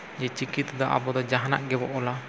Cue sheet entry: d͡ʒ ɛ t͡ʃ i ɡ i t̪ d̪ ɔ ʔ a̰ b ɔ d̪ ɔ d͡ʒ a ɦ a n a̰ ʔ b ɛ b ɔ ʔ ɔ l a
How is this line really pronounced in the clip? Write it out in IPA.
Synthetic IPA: d͡ʒ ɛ t͡ʃ i k i t̪ d̪ ɔ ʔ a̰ b ɔ d̪ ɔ d͡ʒ a ɦ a n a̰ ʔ ɡ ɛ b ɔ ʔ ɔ l a